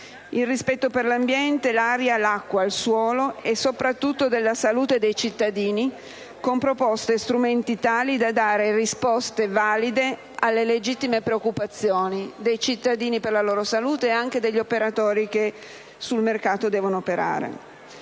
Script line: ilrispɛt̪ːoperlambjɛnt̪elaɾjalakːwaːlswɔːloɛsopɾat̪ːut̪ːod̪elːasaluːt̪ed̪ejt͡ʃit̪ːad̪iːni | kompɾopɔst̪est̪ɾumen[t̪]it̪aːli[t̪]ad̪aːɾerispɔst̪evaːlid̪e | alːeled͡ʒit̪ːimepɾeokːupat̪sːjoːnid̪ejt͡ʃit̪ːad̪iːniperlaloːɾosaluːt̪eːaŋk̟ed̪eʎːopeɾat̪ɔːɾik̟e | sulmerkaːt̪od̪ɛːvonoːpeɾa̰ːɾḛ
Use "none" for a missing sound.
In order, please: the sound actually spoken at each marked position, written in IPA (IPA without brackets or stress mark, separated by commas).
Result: t̪, d̪